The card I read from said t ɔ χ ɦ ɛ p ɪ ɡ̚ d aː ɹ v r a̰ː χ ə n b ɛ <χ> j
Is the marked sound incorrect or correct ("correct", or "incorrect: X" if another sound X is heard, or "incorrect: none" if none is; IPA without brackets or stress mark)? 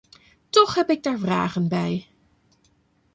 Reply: incorrect: none